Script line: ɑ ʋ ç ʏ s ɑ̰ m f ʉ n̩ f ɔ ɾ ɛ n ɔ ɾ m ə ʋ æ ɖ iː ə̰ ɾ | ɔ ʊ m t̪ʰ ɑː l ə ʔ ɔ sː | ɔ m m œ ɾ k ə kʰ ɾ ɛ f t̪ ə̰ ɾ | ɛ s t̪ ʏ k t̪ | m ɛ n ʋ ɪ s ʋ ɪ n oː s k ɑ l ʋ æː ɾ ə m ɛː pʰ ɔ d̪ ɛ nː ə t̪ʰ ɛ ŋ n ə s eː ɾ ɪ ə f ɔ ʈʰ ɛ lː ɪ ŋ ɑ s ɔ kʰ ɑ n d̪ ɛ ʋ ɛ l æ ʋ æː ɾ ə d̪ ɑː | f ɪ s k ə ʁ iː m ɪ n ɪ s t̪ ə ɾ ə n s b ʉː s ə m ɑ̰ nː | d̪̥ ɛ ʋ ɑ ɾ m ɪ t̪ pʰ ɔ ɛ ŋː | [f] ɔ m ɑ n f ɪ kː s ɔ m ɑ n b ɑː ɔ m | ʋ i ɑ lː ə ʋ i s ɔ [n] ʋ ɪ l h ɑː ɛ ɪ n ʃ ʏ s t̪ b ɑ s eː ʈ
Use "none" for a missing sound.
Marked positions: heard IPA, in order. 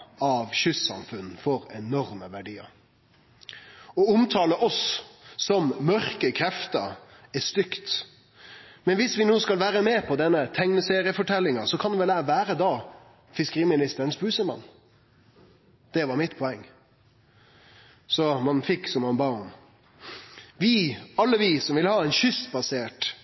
s, m

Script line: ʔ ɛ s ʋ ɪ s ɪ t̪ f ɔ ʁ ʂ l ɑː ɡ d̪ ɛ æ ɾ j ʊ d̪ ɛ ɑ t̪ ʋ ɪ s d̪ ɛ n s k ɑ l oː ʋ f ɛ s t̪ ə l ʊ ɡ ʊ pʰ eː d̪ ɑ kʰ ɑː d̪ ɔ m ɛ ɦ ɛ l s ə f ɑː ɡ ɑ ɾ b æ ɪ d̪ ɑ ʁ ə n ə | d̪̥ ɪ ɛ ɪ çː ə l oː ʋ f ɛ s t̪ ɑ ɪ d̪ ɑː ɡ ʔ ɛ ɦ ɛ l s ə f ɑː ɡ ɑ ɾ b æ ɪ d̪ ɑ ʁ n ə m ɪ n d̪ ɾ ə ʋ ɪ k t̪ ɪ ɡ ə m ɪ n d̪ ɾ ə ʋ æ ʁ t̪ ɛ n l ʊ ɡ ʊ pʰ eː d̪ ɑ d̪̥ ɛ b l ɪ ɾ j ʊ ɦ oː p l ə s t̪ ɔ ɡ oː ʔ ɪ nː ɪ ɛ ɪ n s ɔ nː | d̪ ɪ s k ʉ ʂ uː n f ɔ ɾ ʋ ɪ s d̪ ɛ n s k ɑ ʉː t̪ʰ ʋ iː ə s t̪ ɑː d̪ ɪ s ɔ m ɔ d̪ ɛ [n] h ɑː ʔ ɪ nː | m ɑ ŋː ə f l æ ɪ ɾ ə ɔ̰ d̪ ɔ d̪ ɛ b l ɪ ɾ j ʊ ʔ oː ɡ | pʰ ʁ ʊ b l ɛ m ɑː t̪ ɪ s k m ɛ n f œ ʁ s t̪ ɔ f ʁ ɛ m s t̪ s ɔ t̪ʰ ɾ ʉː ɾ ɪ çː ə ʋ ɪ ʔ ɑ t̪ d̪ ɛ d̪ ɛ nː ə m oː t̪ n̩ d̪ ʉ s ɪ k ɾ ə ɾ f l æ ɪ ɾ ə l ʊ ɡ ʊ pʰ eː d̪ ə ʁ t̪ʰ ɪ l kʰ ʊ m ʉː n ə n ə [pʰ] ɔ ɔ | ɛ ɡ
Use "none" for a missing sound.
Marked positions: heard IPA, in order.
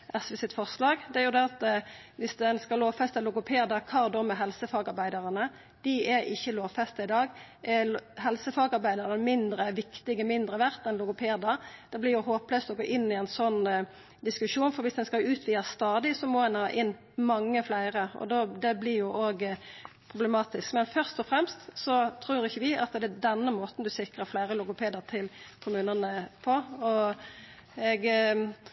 n, pʰ

